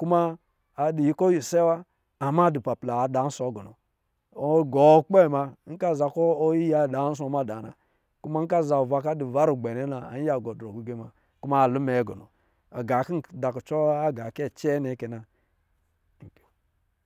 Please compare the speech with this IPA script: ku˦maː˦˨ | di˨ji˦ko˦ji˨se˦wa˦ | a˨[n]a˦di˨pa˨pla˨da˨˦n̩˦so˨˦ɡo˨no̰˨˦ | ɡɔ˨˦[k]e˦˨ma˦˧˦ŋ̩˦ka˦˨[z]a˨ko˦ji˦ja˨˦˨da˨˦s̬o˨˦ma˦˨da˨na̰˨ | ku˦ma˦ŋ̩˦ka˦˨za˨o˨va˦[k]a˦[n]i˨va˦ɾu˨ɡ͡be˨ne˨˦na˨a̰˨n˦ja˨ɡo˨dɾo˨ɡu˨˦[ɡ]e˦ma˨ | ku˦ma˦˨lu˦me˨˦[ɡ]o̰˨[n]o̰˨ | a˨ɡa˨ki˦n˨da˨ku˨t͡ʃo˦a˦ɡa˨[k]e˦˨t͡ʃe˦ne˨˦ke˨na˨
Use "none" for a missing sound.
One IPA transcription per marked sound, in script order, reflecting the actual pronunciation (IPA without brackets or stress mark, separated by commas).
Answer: m, k͡p, z, k, d, ɡ, ɡ, n, k